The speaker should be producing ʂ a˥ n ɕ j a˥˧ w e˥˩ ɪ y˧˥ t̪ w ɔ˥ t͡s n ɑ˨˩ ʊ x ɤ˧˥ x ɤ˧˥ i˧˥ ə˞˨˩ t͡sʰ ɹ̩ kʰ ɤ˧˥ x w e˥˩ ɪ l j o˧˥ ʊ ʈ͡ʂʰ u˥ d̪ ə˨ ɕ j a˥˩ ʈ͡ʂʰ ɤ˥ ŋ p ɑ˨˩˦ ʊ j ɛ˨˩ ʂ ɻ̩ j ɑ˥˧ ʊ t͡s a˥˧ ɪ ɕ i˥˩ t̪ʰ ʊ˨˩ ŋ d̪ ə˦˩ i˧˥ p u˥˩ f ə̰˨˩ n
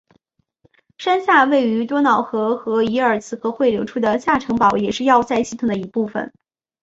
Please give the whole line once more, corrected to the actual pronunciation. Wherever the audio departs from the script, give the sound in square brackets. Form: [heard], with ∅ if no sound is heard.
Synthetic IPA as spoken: ʂ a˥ n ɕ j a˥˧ w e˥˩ ɪ y˧˥ t̪ w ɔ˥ [∅] n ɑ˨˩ ʊ x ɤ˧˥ x ɤ˧˥ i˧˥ ə˞˨˩ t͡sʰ ɹ̩ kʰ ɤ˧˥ x w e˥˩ ɪ l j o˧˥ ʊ ʈ͡ʂʰ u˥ d̪ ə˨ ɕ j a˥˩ ʈ͡ʂʰ [ɤ˧˥] ŋ p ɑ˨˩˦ ʊ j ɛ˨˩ ʂ ɻ̩ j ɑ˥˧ ʊ t͡s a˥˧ ɪ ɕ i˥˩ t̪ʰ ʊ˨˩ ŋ d̪ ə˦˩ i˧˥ p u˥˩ f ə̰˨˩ n